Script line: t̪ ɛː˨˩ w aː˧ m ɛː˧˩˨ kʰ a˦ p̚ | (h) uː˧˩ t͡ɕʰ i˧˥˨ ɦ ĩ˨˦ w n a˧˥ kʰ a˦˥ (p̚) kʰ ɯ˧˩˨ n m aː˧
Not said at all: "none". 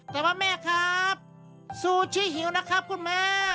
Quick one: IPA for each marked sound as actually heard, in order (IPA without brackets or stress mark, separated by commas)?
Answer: s, p̚